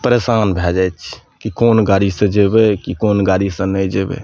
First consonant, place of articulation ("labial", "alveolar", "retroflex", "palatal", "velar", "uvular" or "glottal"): labial